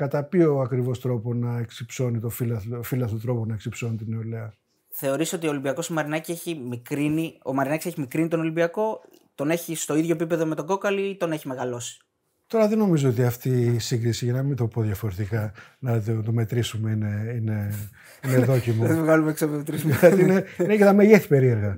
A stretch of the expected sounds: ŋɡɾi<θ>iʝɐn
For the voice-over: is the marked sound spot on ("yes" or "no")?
no